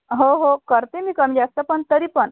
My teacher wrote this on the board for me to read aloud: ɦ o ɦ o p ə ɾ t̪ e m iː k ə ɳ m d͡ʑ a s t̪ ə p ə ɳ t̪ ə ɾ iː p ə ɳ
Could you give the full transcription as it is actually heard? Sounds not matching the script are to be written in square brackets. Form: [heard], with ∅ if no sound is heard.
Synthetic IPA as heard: ɦ o ɦ o [k] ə ɾ t̪ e m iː k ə [∅] m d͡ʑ a s t̪ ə p ə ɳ t̪ ə ɾ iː p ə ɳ